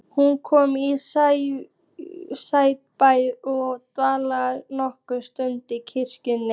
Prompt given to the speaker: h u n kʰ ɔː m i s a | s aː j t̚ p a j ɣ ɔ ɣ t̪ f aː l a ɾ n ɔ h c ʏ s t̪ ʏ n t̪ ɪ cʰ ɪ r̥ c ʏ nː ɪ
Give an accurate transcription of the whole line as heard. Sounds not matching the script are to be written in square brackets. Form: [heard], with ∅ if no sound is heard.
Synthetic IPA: h u n kʰ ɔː m i s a | s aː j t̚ p a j [ð] ɔ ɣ t̪ [v] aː l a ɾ n ɔ h [k] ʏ s t̪ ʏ n t̪ ɪ cʰ ɪ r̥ c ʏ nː ɪ